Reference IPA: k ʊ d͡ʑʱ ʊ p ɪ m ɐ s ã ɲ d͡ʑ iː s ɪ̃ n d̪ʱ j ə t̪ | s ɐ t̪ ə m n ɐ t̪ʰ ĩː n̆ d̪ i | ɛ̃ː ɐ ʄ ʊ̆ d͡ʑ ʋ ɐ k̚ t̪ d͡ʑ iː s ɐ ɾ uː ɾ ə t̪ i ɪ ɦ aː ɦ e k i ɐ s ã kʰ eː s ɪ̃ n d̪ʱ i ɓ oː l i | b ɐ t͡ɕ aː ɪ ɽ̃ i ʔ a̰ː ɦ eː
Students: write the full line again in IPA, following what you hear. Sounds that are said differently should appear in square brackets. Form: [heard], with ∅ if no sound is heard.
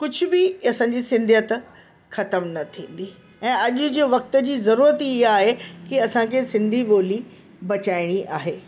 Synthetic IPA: k ʊ d͡ʑʱ ʊ [b] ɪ [∅] ɐ s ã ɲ d͡ʑ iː s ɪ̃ n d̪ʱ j ə t̪ | [x] ɐ t̪ ə m n ɐ t̪ʰ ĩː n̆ d̪ i | ɛ̃ː ɐ ʄ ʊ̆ d͡ʑ ʋ ɐ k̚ t̪ d͡ʑ iː [z] ɐ ɾ uː ɾ ə t̪ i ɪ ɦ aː ɦ e k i ɐ s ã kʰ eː s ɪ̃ n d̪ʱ i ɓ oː l i | b ɐ t͡ɕ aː ɪ ɽ̃ i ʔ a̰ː ɦ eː